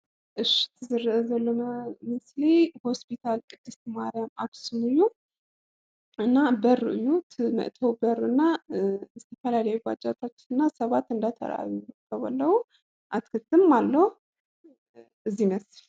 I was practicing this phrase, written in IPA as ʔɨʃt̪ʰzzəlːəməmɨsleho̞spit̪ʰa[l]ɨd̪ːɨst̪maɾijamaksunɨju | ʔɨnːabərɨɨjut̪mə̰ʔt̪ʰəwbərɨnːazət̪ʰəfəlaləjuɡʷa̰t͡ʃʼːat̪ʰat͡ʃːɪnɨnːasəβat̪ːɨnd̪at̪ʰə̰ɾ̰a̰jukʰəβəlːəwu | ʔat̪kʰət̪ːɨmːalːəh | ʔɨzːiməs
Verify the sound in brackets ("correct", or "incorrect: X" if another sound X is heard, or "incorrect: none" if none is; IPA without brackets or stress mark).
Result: correct